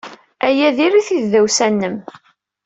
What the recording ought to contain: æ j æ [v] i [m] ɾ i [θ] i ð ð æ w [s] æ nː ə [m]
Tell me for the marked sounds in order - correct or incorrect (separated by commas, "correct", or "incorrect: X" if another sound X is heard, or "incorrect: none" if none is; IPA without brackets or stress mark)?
incorrect: ð, incorrect: none, correct, correct, correct